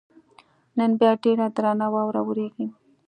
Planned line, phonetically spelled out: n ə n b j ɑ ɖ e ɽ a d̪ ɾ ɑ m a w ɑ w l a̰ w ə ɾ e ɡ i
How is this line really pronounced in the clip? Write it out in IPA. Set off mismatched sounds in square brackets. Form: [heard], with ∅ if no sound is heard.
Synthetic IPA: n ə n b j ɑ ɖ e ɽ a d̪ ɾ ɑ [n] a w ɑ w [ɾ] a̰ w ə ɾ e ɡ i